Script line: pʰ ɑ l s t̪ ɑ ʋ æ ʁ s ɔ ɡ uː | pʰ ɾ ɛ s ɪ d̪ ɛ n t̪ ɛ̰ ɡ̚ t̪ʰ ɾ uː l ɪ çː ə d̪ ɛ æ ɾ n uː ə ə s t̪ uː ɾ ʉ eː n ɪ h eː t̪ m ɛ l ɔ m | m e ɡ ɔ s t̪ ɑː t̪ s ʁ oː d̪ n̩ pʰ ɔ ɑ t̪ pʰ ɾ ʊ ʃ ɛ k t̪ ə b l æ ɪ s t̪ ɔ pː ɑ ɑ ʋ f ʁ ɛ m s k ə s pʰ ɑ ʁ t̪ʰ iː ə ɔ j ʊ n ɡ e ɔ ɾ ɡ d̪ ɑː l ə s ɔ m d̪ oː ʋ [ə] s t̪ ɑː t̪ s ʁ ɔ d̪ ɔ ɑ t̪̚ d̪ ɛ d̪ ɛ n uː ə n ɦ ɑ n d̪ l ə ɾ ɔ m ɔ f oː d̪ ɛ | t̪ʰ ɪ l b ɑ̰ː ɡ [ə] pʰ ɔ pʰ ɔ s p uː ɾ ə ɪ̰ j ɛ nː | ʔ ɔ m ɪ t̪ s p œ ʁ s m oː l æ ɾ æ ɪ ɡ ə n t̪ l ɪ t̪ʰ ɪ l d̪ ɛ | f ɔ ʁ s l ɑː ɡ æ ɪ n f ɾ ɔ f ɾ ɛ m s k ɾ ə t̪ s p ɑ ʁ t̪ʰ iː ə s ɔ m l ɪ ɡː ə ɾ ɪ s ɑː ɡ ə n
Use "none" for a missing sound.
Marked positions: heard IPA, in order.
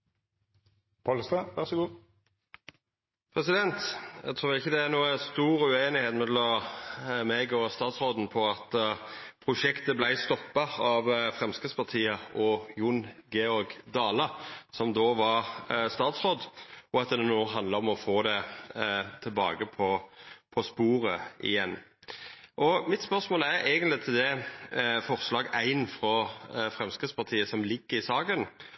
ɑ, ə

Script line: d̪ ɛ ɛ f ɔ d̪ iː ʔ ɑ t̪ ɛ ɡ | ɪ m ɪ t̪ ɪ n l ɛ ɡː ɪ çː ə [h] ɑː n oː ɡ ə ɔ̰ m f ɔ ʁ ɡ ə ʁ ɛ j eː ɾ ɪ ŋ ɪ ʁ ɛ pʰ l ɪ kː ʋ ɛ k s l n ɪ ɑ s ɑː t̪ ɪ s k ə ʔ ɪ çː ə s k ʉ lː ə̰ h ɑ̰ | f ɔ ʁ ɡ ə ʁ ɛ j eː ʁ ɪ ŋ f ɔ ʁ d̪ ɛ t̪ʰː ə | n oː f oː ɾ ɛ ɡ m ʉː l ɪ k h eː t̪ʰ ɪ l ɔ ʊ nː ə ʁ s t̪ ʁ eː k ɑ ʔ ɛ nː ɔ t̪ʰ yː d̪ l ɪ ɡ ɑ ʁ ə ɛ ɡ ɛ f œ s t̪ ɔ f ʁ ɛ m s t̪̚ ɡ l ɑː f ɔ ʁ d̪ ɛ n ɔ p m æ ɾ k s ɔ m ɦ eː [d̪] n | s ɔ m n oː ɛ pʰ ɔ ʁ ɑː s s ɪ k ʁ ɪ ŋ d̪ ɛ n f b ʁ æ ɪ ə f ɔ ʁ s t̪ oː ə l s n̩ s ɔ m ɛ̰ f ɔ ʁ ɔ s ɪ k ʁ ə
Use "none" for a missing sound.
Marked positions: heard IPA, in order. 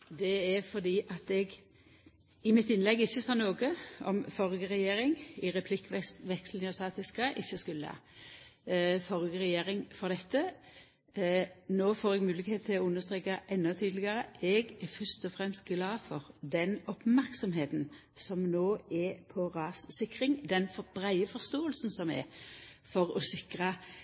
s, t̪

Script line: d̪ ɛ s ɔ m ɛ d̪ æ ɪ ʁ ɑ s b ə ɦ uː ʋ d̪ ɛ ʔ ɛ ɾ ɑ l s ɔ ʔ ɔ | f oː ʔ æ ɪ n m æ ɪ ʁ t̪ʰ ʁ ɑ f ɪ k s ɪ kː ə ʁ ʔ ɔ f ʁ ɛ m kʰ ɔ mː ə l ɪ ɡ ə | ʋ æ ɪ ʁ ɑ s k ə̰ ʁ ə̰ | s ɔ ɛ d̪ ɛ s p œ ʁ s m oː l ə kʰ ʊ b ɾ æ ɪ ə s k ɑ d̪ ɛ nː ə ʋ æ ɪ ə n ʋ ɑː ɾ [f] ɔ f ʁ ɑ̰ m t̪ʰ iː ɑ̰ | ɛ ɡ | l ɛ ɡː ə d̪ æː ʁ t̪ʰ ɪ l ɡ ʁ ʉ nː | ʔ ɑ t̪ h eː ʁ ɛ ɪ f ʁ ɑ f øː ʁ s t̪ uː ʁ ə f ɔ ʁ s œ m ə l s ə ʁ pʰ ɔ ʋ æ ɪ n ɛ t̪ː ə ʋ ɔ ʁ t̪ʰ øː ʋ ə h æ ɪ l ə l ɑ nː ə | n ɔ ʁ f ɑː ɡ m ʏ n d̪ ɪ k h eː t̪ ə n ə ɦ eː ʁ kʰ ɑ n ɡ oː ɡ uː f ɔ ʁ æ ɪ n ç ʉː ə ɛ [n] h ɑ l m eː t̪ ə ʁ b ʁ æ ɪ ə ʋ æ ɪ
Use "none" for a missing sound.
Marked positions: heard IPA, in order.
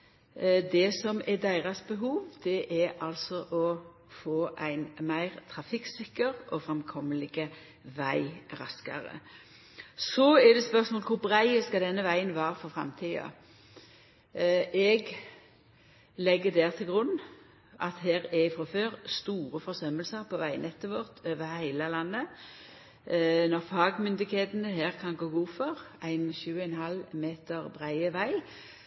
f, n

